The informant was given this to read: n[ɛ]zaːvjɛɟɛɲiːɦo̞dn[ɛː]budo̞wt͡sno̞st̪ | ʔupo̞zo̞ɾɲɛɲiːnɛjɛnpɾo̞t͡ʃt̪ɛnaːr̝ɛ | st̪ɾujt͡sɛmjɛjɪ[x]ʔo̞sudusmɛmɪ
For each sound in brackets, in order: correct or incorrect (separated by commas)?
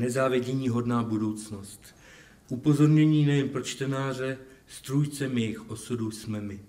correct, incorrect, correct